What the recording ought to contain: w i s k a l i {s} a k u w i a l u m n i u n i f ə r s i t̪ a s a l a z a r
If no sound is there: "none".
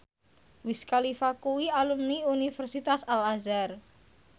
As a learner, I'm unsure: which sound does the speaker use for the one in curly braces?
f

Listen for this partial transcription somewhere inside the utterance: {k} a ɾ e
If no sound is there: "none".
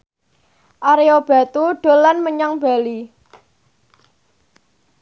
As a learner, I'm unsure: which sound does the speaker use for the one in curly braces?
ʔ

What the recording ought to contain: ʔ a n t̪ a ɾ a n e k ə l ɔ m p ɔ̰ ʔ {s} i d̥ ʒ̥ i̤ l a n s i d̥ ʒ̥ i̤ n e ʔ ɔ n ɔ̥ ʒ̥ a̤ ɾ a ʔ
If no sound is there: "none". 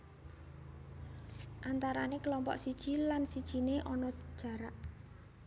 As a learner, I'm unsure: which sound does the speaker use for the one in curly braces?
s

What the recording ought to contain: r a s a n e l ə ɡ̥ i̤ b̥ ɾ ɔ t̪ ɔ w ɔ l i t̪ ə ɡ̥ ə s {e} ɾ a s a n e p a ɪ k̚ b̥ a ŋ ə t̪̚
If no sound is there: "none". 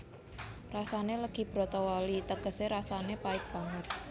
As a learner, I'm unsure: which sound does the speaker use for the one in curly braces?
e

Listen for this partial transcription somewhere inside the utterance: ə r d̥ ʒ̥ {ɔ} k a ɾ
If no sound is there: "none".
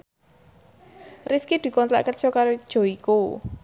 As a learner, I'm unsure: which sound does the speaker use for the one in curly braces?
ɔ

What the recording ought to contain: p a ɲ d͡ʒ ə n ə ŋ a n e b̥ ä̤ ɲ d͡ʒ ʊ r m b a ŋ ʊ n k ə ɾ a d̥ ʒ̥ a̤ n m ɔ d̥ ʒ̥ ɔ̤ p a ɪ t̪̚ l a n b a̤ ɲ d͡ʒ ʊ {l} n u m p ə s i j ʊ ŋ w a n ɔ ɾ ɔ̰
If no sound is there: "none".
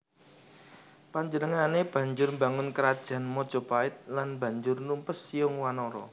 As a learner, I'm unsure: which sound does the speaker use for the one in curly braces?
r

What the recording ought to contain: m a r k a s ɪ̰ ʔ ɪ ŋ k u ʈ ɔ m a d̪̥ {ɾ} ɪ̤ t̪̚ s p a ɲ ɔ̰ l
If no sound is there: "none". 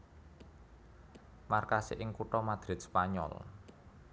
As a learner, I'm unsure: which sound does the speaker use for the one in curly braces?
ɾ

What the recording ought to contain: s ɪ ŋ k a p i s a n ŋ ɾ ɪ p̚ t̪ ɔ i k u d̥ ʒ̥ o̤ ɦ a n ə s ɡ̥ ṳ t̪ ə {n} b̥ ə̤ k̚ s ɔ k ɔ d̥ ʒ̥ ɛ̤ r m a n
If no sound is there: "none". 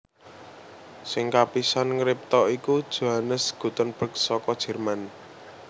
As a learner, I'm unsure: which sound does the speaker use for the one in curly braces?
n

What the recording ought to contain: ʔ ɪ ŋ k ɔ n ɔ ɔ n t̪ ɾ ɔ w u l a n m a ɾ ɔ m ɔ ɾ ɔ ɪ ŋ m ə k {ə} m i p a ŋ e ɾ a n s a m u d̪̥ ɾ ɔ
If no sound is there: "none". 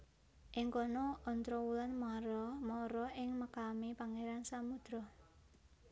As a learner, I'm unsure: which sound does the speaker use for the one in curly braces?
a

